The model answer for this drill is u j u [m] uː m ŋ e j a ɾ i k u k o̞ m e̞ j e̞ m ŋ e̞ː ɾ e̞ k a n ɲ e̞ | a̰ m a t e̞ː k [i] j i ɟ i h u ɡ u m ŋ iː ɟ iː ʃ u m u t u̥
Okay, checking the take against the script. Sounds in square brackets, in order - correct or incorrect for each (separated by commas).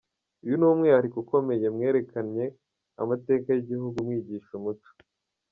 incorrect, incorrect